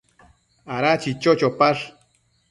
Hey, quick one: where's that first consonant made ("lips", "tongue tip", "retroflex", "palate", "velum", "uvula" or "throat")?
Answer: tongue tip